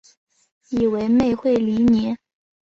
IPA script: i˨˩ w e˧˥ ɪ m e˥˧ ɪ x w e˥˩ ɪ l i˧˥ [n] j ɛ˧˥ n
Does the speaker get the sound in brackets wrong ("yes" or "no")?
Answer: no